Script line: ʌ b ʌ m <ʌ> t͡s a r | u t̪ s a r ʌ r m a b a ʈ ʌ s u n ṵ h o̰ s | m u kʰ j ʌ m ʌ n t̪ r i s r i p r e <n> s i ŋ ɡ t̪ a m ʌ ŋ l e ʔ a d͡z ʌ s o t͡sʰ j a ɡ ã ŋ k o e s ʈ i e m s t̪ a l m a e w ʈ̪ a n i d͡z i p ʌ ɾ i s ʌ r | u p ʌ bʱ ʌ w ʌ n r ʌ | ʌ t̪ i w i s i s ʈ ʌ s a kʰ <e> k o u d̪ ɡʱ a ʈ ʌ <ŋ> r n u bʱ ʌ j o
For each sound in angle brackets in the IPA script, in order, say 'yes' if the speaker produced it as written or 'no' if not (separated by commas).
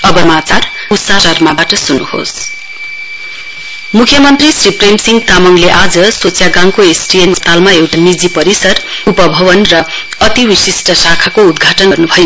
no, no, no, no